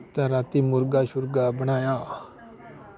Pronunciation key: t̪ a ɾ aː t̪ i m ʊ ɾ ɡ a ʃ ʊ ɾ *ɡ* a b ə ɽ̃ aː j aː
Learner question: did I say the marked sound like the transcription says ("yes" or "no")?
yes